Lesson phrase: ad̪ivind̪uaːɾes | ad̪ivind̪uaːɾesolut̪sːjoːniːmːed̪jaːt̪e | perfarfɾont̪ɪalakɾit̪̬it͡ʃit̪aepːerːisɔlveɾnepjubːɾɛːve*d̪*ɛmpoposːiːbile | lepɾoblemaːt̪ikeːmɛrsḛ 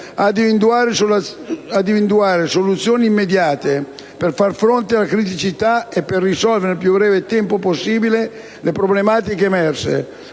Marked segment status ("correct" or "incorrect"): incorrect